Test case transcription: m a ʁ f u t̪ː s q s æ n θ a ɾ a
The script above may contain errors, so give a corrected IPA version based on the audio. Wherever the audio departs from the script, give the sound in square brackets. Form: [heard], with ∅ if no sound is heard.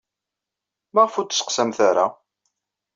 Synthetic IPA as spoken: m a ʁ f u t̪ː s q s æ [m] θ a ɾ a